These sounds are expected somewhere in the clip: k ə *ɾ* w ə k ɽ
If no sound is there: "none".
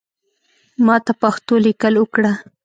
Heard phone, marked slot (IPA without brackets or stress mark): l